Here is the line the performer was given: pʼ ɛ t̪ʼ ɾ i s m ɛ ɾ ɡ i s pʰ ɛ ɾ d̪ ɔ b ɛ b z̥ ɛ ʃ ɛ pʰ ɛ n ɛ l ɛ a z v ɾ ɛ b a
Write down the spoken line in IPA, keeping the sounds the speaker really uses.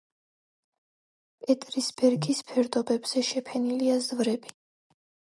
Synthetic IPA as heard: pʼ ɛ t̪ʼ ɾ i s b ɛ ɾ ɡ i s pʰ ɛ ɾ d̪ ɔ b ɛ b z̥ ɛ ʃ ɛ pʰ ɛ n i l i a z v ɾ ɛ b i